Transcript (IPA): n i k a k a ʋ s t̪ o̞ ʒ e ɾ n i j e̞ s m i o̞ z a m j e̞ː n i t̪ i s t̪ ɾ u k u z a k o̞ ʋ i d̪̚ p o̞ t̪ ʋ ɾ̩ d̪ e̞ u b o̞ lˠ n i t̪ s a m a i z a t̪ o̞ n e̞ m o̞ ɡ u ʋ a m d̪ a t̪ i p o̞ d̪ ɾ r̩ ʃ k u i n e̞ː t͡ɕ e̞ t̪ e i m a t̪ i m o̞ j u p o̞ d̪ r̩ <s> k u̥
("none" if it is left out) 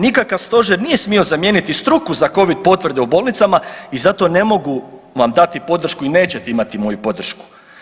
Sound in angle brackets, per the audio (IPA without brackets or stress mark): ʃ